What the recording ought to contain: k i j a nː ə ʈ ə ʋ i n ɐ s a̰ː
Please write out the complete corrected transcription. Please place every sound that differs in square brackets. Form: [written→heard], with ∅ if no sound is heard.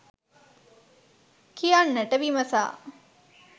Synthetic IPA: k i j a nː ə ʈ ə ʋ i [n→m] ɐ s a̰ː